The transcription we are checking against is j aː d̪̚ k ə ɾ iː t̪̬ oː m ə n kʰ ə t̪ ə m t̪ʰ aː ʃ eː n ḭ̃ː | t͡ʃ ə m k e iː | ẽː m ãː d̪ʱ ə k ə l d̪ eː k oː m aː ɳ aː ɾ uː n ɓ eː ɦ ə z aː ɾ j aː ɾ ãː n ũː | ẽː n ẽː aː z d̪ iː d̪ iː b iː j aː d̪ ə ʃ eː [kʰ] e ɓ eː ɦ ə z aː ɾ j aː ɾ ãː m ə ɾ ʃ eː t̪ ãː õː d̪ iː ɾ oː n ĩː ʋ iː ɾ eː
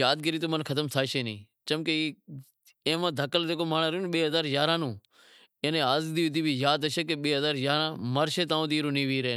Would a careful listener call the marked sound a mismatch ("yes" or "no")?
yes